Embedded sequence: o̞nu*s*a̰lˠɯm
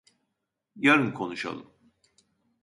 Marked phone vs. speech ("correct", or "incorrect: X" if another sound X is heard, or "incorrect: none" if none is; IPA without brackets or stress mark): incorrect: ʃ